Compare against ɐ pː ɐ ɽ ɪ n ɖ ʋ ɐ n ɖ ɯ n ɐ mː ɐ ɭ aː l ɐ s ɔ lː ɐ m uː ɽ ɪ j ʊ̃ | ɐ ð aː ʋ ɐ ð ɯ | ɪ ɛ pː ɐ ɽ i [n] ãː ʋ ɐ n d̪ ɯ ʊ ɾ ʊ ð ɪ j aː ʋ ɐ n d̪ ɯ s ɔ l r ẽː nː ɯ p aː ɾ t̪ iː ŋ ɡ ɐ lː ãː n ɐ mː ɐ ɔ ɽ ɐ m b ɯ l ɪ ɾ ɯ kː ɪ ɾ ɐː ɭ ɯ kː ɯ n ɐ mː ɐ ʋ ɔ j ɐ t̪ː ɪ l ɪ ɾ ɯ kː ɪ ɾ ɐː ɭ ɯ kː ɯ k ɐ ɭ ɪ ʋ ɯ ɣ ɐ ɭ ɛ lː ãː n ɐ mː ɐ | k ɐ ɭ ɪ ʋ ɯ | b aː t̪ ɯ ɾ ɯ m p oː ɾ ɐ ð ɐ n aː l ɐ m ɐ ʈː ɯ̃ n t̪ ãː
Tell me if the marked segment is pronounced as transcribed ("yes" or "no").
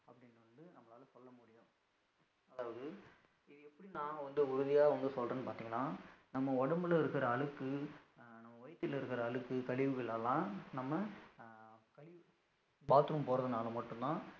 yes